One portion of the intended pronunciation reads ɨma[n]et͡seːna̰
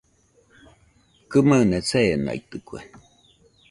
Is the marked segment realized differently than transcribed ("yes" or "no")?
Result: no